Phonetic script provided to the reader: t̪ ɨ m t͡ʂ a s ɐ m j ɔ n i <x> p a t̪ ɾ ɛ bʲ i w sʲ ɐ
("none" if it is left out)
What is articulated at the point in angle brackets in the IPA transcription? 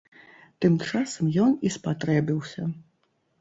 s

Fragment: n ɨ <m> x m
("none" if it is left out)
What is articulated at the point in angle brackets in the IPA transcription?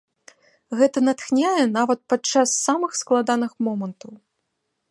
none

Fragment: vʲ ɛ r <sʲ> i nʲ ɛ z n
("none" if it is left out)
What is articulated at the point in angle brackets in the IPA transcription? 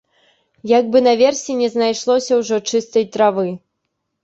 sʲ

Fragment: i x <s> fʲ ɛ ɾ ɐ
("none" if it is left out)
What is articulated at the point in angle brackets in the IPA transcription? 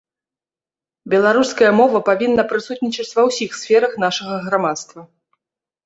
s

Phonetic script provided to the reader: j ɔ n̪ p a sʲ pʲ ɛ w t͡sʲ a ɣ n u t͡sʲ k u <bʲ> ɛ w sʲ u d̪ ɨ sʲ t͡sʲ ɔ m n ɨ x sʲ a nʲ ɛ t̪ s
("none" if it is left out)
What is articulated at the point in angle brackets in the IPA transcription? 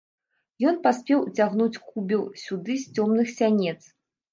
bʲ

